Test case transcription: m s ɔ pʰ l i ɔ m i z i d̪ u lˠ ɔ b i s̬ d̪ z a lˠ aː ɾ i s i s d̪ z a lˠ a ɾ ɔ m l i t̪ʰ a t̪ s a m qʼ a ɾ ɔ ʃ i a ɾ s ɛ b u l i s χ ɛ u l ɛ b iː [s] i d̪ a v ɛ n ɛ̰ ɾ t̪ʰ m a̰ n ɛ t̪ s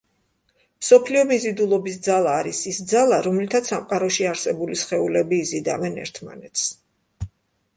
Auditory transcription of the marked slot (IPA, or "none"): z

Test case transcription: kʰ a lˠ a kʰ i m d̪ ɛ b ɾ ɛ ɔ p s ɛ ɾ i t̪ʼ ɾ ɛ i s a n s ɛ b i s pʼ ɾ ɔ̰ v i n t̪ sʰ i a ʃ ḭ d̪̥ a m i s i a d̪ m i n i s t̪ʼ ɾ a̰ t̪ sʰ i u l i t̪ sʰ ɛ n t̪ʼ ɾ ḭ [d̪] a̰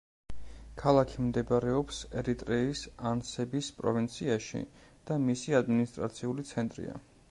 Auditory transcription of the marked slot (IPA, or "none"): none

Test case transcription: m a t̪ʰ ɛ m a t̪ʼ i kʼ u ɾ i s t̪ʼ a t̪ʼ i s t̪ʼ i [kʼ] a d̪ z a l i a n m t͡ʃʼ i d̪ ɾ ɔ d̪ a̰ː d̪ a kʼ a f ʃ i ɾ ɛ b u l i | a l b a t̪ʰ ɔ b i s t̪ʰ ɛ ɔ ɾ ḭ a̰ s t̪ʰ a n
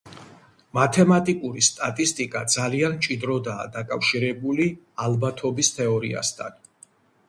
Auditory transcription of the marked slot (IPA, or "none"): kʼ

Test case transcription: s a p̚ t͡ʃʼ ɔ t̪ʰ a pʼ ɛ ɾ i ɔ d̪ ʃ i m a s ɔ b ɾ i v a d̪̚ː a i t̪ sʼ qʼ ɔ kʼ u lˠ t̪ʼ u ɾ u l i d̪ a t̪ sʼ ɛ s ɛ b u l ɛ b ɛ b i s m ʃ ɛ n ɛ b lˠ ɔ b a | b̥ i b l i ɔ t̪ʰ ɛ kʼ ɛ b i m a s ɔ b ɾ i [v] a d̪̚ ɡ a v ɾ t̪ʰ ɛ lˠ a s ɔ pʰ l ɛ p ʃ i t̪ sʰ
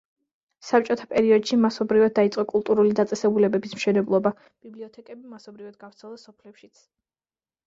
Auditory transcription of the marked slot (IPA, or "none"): v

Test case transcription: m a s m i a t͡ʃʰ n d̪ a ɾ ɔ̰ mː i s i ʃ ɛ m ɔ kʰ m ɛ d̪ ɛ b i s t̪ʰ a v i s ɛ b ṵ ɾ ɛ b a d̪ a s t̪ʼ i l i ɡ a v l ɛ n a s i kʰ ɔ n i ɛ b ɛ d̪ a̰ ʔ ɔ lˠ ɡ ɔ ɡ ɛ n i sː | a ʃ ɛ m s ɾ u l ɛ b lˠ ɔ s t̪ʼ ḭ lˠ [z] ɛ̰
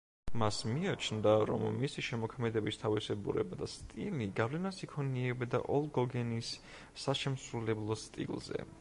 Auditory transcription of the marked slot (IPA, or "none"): z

